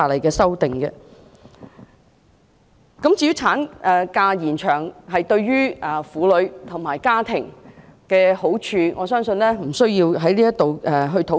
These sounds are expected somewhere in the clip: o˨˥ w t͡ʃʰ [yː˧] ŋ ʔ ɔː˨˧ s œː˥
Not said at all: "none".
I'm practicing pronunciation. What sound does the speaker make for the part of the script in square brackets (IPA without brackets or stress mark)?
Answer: yː˧